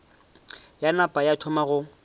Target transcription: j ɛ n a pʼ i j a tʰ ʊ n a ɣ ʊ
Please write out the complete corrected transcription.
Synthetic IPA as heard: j a n a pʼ a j a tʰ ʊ m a ɣ ʊ